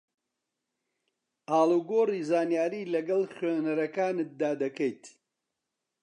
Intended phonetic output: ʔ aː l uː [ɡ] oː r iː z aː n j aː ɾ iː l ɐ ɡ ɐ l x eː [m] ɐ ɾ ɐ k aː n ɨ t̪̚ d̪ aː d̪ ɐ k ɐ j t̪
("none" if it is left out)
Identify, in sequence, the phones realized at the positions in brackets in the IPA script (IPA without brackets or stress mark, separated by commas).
ɡ, n